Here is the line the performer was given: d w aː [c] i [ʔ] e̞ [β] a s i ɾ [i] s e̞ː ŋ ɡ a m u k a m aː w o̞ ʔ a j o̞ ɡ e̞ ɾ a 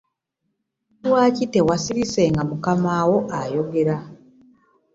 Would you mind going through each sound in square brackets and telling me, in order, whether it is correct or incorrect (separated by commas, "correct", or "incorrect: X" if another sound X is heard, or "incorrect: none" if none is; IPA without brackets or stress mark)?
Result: correct, incorrect: t, incorrect: w, correct